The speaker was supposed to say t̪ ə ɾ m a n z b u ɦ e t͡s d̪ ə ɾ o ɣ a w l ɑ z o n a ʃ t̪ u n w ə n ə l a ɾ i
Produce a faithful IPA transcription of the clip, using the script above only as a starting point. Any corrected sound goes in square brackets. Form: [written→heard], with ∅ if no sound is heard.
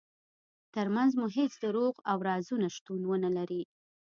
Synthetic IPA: t̪ ə ɾ m a n z [b→m] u ɦ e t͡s d̪ ə ɾ o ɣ a w [l→ɾ] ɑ z [o→u] n a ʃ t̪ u n w ə n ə l a ɾ i